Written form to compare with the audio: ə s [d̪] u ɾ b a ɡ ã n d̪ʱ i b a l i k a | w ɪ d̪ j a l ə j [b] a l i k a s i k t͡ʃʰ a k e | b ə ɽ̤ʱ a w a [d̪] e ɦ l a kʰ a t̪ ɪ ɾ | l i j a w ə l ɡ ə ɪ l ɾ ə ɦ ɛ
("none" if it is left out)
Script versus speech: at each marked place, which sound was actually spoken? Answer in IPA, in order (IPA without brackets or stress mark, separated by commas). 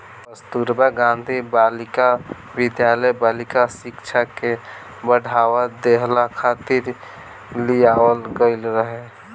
t̪, b, d̪